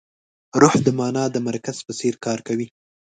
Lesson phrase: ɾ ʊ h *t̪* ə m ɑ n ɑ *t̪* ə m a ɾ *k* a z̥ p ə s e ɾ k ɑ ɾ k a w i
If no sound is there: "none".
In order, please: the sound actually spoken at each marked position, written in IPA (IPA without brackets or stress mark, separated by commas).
d̪, d̪, k